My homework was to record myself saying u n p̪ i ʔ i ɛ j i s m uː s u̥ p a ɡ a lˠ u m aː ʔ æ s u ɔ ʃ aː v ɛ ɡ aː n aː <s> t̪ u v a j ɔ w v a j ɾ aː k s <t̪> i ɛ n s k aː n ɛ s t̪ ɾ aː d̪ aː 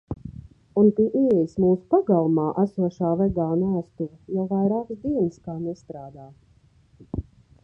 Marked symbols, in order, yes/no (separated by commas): yes, no